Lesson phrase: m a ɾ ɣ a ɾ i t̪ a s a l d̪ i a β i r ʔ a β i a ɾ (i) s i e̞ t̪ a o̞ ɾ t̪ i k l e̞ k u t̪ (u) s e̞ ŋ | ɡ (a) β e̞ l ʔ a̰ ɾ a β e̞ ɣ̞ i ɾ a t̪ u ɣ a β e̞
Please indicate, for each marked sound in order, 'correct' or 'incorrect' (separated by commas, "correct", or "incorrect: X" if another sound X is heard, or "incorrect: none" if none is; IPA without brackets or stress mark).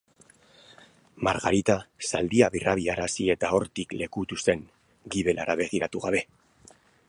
incorrect: a, correct, incorrect: i